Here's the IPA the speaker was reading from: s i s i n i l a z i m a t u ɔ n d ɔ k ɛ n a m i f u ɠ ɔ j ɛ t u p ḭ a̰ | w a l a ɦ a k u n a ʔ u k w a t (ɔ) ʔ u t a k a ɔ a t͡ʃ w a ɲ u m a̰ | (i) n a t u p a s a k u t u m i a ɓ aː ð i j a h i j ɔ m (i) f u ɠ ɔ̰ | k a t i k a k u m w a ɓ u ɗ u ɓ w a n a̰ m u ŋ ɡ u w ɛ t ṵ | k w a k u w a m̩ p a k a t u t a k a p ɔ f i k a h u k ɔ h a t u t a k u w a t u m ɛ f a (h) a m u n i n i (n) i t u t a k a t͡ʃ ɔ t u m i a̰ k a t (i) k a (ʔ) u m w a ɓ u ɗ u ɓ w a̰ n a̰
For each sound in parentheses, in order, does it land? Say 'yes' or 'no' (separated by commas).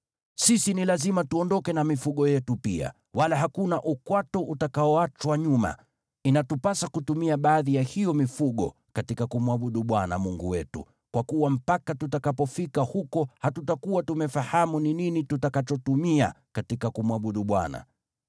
yes, yes, yes, yes, yes, yes, no